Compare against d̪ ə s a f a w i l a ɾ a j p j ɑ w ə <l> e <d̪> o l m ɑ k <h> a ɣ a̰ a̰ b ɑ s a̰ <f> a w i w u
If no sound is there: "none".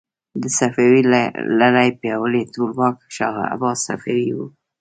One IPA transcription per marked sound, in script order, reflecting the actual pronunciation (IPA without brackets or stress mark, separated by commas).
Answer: l, t̪, ʃ, f